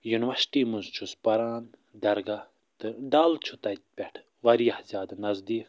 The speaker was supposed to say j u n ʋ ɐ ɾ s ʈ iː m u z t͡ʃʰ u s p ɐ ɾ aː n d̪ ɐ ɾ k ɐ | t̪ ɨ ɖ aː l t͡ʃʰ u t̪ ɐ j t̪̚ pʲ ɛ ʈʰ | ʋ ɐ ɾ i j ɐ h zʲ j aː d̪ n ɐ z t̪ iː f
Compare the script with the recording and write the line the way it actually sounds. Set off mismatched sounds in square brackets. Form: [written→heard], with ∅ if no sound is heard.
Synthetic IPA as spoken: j u n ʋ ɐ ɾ s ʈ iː m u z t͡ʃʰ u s p ɐ ɾ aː n d̪ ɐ ɾ [k→ɡ] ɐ | t̪ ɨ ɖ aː l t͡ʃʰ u t̪ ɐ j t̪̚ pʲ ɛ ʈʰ | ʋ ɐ ɾ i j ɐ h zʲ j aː d̪ n ɐ z [t̪→d̪] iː f

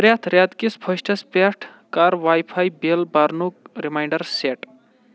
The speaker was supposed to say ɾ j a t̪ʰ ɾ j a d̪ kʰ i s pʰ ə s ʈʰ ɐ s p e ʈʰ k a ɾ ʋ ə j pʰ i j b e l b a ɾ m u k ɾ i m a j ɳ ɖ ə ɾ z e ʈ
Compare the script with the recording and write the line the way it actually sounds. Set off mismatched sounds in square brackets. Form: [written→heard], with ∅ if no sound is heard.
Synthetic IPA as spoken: ɾ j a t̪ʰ ɾ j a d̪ [kʰ→k] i s pʰ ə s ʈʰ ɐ s p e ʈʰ k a ɾ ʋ [ə→a] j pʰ [i→a] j b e l b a ɾ [m→n] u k ɾ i m a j ɳ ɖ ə ɾ [z→s] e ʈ

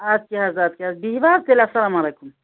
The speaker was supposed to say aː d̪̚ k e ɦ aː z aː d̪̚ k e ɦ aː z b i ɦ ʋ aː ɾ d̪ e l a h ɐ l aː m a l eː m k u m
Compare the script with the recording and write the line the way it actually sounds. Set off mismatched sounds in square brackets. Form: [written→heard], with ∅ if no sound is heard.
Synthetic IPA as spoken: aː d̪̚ k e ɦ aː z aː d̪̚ k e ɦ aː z b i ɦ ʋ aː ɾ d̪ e l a [h→s] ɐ l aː m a l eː [m→∅] k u m

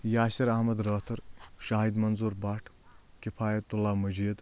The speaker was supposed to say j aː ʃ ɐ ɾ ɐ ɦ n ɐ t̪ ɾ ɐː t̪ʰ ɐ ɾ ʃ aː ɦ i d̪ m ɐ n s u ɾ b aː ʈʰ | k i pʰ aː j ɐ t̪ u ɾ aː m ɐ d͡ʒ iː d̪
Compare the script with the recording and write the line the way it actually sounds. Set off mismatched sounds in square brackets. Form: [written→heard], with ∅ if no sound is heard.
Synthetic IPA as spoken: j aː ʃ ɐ ɾ ɐ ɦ [n→m] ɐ [t̪→d̪] ɾ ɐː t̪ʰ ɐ ɾ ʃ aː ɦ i d̪ m ɐ n [s→z] u ɾ b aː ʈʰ | k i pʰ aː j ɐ t̪ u [ɾ→l] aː m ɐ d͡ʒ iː d̪

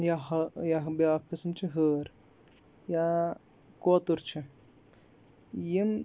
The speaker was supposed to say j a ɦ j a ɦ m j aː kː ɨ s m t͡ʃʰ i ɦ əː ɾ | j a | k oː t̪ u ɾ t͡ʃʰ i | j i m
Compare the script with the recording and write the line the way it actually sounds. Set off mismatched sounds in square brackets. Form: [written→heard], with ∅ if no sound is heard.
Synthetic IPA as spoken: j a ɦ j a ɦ [m→b] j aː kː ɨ s m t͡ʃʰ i ɦ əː ɾ | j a | k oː t̪ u ɾ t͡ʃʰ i | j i m

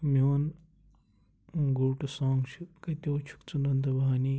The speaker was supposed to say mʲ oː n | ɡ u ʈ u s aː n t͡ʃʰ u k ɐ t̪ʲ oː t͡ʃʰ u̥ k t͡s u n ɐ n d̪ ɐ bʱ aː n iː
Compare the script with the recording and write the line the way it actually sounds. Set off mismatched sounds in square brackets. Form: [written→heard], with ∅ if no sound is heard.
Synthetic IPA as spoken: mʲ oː n | ɡ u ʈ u s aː [n→ŋ] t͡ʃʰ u k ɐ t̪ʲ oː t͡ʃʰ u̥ k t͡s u n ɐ n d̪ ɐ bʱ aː n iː

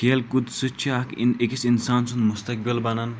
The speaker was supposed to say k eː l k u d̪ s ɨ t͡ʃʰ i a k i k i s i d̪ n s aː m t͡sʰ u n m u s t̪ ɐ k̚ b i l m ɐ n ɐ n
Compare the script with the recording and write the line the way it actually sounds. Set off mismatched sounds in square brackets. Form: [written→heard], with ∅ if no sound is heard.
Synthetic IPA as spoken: k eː l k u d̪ s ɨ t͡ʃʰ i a k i k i s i [d̪→∅] n s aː [m→n] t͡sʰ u n m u s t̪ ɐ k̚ b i l [m→b] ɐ n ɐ n

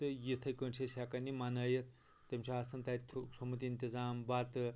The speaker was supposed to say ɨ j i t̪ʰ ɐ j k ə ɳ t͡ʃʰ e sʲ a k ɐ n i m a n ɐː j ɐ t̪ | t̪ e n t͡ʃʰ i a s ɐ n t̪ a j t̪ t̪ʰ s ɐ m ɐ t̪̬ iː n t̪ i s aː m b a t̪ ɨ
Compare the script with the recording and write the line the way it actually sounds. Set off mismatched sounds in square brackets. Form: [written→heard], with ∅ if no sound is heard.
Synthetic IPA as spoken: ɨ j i t̪ʰ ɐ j k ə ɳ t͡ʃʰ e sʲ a k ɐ n i m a n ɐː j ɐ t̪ | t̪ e [n→m] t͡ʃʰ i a s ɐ n t̪ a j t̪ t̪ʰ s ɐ m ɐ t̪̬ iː n t̪ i [s→z] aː m b a t̪ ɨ

